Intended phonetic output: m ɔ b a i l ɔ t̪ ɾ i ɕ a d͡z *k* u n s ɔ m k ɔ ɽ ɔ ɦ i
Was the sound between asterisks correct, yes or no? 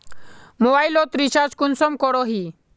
yes